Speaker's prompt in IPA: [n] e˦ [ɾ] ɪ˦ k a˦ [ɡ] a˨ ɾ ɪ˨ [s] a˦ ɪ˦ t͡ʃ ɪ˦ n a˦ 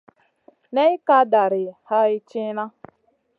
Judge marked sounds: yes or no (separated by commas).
yes, no, no, no